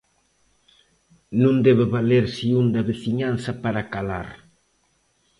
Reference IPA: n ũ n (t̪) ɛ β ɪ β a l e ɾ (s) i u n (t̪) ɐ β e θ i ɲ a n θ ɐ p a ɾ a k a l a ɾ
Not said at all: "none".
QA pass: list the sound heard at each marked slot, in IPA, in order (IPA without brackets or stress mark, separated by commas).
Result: d̪, s, d̪